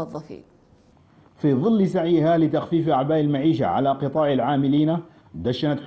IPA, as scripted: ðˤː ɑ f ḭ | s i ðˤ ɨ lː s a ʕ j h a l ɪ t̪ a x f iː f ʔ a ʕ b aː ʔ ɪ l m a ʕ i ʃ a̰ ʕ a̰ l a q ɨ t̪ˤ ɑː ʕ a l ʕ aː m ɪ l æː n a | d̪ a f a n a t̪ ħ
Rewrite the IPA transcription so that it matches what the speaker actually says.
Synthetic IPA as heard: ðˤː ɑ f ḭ | f i ðˤ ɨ lː s a ʕ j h a l ɪ t̪ a x f iː f ʔ a ʕ b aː ʔ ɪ l m a ʕ iː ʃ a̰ ʕ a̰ l a q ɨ t̪ˤ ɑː ʕ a l ʕ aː m ɪ l iː n a | d̪ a ʃ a n a t̪ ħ